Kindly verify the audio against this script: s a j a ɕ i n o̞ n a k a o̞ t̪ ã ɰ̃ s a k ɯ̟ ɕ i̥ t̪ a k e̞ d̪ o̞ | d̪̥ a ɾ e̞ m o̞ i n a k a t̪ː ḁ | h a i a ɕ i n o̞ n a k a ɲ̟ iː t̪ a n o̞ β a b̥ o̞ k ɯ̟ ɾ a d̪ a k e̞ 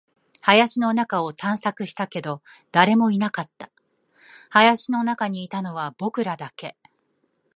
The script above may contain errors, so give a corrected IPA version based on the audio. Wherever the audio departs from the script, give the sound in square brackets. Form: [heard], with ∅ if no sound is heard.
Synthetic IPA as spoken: [h] a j a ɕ i n o̞ n a k a o̞ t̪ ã ɰ̃ s a k ɯ̟ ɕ i̥ t̪ a k e̞ d̪ o̞ | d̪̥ a ɾ e̞ m o̞ i n a k a t̪ː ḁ | h a [j] a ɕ i n o̞ n a k a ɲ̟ iː t̪ a n o̞ β a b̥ o̞ k ɯ̟ ɾ a d̪ a k e̞